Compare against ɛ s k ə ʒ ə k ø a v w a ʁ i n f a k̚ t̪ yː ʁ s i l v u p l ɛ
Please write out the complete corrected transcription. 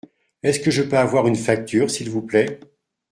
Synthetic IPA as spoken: ɛ s k ə ʒ ə p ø a v w a ʁ y n f a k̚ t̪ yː ʁ s i l v u p l ɛ